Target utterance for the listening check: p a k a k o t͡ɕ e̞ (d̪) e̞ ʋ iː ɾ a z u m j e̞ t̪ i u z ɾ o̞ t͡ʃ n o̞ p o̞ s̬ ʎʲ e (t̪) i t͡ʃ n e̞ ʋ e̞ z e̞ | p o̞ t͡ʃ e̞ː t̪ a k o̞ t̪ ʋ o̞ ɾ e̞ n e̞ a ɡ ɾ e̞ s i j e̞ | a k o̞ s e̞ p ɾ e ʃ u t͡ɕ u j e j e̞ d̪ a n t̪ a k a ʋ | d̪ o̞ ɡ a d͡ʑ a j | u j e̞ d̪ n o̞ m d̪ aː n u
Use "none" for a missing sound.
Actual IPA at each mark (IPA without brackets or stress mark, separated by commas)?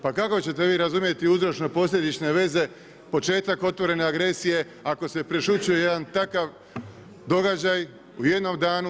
t̪, d̪